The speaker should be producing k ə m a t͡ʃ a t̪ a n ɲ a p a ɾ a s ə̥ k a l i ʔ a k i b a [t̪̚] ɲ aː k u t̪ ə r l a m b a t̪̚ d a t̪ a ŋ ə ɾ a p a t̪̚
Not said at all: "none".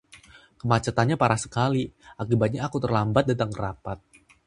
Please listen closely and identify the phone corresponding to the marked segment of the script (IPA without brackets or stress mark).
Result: t̪̚